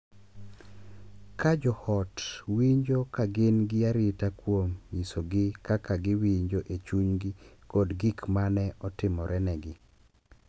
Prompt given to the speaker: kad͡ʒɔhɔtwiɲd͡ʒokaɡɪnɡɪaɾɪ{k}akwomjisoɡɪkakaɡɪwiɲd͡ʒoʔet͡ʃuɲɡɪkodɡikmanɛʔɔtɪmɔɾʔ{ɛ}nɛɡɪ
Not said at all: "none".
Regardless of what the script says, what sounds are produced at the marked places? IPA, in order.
t, ɛ

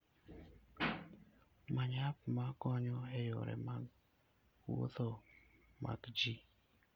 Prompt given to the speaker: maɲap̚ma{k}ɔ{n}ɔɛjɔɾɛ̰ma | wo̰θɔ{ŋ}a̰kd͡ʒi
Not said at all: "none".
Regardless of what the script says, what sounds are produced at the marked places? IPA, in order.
k, ɲ, m

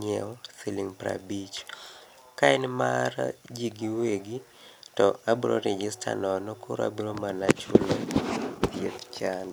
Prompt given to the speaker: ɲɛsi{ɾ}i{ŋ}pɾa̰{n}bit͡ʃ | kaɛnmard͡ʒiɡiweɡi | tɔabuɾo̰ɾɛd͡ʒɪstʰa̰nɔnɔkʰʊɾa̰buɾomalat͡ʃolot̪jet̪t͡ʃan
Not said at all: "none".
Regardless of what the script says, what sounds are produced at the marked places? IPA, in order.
l, ŋ, none

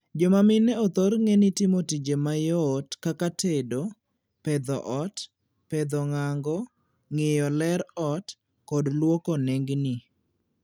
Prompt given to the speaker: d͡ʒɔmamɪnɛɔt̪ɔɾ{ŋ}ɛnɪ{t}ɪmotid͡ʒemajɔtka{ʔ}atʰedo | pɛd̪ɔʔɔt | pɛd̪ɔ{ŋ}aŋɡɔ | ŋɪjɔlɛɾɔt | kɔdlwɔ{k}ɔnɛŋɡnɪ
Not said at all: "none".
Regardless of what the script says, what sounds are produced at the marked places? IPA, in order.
ŋ, t, k, ŋ, k

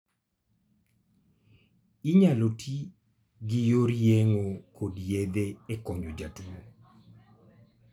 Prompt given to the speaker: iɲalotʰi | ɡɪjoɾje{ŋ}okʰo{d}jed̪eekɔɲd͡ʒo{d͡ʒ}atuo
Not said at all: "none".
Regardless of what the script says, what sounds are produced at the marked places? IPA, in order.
ŋ, d, d͡ʒ

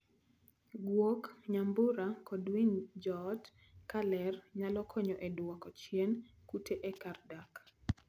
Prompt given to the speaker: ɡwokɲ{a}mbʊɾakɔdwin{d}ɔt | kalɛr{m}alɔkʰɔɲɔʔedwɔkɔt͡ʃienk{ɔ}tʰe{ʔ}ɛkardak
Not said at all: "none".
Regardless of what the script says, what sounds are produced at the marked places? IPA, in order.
a, d͡ʒ, ɲ, u, ʔ

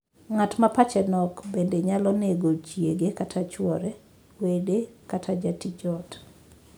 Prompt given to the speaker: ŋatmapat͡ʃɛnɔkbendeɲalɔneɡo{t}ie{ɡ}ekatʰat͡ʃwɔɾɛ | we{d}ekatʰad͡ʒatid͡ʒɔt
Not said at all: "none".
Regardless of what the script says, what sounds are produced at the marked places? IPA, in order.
t͡ʃ, ɡ, d

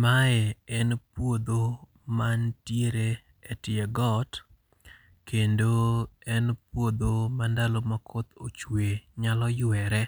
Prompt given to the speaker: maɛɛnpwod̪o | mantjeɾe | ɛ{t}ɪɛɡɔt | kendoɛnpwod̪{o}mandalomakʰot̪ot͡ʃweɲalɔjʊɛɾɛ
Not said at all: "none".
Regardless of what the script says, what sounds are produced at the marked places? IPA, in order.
t, o

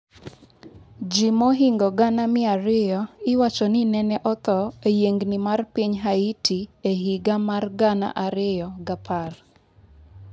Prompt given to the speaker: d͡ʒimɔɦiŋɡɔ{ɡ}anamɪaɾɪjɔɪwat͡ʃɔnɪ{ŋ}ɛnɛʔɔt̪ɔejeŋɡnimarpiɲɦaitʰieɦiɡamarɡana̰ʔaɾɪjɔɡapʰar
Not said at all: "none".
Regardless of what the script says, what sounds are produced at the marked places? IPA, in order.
ɡ, n

